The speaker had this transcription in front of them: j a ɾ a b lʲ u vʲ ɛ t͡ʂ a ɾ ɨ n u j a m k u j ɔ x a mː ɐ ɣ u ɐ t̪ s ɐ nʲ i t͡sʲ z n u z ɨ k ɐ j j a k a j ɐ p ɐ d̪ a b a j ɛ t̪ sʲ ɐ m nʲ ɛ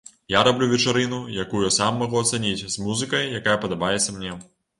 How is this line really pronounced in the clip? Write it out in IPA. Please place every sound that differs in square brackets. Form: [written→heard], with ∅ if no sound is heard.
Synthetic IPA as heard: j a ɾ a b lʲ u vʲ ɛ t͡ʂ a ɾ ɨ n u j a [m→∅] k u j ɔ [x→s] a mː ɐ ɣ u ɐ t̪ s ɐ nʲ i t͡sʲ z [n→m] u z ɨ k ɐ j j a k a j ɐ p ɐ d̪ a b a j ɛ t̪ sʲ ɐ m nʲ ɛ